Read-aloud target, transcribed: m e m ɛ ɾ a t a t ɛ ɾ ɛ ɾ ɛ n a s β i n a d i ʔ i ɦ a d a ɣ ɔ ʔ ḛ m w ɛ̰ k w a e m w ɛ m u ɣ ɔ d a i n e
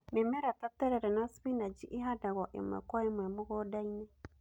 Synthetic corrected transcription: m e m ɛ ɾ a t a t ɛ ɾ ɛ ɾ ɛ n a s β i n a d͡ʒ i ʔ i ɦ a d a ɣ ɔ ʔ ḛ m w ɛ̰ k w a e m w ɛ m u ɣ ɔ d a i n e